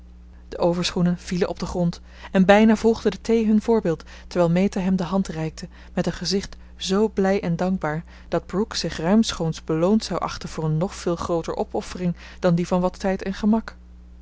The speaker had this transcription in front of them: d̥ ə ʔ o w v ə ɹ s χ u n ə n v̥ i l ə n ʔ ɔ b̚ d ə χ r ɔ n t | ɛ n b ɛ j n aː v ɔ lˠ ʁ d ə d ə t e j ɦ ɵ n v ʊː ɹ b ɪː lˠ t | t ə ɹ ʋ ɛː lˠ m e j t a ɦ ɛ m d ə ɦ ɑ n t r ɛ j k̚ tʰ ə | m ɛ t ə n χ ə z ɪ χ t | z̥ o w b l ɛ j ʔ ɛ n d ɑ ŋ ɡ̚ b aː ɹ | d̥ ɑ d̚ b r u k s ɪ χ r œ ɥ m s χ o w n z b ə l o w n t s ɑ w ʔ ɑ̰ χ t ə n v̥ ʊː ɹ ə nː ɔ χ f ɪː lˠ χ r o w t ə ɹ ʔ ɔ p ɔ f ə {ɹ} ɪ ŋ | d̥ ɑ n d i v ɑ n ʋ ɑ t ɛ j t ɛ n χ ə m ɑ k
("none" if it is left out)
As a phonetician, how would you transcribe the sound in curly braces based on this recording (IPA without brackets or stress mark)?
r